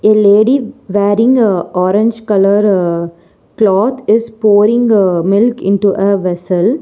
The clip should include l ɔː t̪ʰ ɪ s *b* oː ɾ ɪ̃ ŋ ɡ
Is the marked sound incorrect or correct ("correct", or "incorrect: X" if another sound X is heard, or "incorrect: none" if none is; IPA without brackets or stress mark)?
incorrect: p